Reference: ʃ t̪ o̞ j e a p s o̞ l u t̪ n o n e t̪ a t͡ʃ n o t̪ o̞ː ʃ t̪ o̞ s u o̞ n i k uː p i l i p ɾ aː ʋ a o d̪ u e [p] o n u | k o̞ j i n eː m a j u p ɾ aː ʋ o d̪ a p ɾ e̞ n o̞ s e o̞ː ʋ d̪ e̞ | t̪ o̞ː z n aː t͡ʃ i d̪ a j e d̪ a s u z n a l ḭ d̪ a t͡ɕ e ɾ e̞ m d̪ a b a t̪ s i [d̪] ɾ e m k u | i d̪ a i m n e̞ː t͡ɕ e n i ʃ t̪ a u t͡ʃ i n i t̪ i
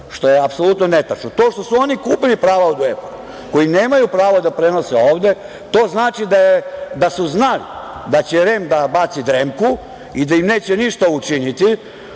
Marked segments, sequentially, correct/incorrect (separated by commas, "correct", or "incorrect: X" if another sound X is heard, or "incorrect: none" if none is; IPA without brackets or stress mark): correct, correct